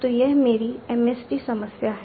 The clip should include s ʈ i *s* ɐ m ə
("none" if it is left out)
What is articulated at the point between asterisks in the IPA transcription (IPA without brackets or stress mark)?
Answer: s